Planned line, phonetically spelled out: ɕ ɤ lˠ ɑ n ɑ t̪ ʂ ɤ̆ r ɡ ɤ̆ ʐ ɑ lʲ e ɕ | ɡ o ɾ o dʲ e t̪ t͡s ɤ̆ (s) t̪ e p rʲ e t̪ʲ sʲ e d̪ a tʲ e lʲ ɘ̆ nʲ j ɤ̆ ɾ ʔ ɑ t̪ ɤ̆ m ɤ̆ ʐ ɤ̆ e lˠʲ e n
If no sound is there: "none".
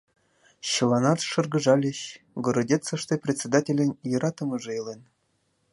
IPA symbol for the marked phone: ʂ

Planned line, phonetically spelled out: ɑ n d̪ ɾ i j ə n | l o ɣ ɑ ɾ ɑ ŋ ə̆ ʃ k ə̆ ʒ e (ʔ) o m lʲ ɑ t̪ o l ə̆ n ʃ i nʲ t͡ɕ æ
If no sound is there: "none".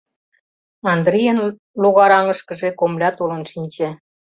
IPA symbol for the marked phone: k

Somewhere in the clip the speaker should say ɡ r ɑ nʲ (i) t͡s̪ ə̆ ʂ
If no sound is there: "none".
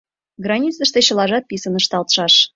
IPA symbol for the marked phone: i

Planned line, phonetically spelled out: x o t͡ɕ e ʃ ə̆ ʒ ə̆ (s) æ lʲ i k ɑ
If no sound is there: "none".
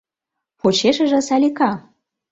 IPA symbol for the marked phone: s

